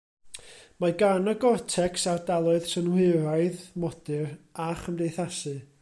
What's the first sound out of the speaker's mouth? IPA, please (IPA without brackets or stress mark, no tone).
m